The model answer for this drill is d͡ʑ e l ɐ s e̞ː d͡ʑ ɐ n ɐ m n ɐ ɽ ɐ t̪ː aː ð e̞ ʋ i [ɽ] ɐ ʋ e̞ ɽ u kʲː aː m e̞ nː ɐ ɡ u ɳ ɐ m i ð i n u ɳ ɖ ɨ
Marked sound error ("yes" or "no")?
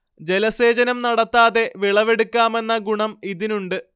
yes